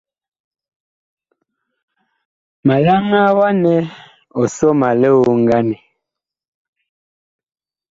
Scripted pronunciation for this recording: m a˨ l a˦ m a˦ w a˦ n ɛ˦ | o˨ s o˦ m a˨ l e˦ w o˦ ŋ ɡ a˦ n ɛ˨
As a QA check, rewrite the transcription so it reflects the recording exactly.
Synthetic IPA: m a˨ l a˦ ŋ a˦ w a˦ n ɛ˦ | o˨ s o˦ m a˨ l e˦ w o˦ ŋ ɡ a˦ n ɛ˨